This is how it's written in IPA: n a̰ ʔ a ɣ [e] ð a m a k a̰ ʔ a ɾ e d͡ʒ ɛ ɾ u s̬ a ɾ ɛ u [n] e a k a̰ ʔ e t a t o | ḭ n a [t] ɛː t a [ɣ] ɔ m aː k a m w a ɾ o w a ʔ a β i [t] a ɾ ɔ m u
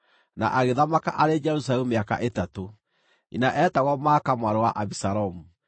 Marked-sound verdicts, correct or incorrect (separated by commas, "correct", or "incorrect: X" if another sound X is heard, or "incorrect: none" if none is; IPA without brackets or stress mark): correct, incorrect: m, incorrect: ʔ, correct, incorrect: s